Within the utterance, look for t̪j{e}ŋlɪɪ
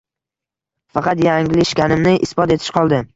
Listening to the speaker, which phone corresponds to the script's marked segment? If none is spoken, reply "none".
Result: a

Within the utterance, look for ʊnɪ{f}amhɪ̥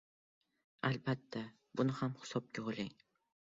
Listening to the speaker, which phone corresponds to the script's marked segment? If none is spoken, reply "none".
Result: h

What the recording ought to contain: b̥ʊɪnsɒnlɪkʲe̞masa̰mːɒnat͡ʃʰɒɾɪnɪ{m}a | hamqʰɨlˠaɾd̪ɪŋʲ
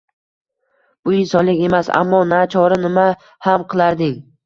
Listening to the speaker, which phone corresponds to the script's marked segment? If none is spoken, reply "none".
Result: m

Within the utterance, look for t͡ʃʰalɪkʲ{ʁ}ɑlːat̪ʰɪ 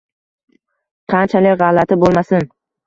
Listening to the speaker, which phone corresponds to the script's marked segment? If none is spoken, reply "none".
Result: ʁ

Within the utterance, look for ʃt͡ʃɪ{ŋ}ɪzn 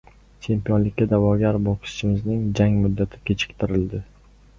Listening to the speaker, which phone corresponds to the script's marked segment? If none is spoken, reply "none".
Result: m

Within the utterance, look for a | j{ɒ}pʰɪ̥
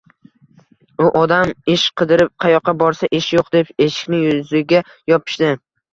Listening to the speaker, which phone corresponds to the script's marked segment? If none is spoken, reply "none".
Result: ɒ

